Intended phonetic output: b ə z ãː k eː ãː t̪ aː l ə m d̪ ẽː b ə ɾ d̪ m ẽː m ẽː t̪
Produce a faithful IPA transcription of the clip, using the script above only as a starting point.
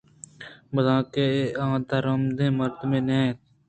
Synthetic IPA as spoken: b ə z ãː k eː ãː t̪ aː ɾ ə m d̪ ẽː m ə ɾ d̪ m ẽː n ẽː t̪